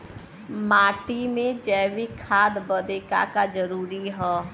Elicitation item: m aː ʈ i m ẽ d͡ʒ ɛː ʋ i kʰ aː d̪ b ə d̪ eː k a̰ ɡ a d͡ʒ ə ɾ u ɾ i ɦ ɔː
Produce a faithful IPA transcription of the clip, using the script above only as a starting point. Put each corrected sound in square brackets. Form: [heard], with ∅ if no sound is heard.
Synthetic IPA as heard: m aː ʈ i m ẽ d͡ʒ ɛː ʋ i kʰ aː d̪ b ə d̪ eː k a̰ [k] a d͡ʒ ə ɾ [uː] ɾ i ɦ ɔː